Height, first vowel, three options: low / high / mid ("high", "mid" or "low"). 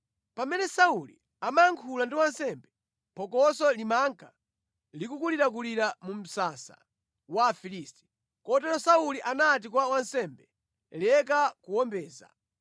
low